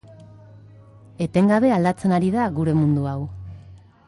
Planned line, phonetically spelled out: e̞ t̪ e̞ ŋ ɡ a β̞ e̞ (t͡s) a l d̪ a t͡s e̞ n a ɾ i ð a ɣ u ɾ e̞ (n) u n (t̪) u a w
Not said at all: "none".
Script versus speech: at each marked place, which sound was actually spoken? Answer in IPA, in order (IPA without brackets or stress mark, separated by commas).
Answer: none, m, d̪